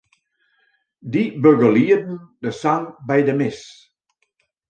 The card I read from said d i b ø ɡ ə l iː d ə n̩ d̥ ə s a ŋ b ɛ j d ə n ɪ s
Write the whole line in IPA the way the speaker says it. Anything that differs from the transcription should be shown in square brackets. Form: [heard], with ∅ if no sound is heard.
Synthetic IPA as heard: d i b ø ɡ ə l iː d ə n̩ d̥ ə s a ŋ b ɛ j d ə [m] ɪ s